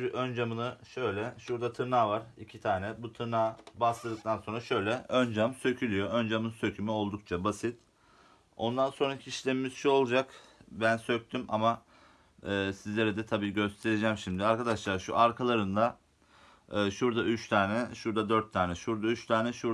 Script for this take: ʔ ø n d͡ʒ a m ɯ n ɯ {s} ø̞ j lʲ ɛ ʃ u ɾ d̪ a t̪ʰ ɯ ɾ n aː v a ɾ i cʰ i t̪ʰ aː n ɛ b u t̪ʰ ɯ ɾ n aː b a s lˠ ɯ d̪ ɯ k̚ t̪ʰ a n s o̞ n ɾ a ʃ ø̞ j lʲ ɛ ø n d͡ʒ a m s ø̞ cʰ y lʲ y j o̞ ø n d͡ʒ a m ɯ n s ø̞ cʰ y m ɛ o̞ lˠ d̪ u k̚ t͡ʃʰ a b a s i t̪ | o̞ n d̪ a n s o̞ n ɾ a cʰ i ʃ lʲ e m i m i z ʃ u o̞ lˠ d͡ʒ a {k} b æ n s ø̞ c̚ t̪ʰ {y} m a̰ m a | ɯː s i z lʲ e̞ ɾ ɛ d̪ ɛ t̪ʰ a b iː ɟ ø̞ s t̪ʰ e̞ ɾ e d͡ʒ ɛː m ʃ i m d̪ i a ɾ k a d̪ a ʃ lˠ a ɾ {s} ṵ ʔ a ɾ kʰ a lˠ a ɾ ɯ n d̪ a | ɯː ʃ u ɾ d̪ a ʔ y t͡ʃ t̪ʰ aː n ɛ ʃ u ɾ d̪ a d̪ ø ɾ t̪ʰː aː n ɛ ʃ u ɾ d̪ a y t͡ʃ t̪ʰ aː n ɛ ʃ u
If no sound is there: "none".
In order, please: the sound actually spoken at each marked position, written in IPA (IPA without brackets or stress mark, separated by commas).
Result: ʃ, k, y, ʃ